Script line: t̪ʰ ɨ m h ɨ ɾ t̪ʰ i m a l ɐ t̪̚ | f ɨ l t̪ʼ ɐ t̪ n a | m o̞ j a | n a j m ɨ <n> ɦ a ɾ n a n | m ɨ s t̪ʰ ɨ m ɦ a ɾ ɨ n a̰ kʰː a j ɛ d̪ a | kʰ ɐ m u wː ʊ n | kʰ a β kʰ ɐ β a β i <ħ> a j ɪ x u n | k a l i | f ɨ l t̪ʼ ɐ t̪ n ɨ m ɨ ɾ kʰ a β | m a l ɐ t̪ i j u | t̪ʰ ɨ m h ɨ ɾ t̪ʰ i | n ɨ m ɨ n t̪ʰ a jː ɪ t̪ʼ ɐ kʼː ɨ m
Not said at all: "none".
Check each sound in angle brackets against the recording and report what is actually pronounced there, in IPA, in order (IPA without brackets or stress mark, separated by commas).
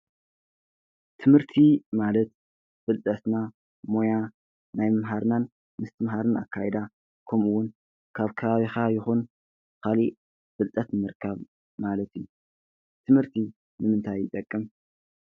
m, x